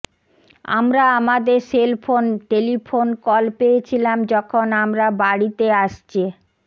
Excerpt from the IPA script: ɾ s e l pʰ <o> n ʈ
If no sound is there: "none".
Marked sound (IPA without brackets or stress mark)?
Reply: o